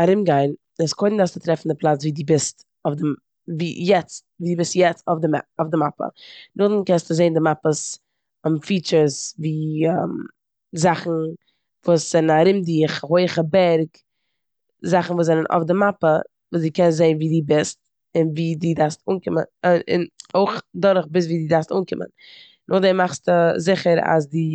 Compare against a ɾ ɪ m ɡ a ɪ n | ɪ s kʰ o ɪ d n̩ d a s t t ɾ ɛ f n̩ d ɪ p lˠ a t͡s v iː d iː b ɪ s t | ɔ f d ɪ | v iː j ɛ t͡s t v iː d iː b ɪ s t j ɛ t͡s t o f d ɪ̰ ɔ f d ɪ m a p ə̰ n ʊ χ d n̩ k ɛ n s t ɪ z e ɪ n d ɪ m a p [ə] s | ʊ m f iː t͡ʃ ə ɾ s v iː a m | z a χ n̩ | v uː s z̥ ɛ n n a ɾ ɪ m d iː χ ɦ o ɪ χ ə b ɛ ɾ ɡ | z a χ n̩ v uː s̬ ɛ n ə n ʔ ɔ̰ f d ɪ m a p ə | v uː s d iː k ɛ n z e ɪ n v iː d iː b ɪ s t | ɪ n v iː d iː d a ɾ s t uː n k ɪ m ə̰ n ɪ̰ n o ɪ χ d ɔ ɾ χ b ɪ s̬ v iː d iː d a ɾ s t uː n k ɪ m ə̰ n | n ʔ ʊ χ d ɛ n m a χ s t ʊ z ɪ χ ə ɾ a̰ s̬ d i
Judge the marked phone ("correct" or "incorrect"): correct